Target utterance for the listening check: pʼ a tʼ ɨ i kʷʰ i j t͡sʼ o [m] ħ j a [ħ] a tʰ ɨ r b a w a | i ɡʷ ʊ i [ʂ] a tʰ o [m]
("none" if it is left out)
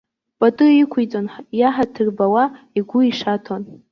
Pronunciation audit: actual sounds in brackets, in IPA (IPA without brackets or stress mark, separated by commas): n, ħ, ʂ, n